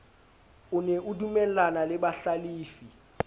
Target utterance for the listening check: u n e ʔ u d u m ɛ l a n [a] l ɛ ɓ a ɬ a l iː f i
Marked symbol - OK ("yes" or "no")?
yes